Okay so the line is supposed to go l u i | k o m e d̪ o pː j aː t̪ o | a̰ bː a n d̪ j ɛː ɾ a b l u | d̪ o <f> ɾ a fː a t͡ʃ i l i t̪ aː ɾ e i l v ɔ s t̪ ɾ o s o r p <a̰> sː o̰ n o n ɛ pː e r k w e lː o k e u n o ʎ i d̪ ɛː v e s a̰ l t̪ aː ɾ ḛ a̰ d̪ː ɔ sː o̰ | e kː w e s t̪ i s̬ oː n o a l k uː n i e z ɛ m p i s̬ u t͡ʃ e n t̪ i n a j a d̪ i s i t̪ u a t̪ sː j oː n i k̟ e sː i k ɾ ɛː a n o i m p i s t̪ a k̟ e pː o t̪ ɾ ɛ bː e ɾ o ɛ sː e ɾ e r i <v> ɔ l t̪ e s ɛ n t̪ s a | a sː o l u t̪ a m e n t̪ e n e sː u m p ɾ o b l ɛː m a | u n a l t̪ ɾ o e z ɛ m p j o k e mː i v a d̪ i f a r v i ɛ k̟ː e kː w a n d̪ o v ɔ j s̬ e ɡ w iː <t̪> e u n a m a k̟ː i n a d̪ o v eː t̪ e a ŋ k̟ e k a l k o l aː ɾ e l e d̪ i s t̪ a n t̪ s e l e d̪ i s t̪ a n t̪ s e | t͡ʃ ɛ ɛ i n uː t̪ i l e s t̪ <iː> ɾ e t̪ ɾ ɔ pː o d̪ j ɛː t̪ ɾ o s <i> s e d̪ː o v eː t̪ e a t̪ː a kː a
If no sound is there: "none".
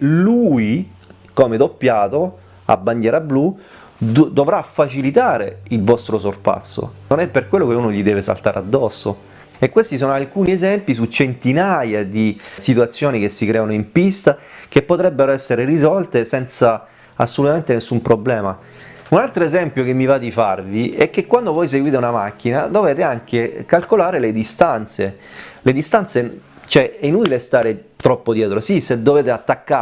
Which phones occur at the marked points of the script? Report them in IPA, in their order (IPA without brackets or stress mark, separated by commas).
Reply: v, a̰, z, t̪, aː, i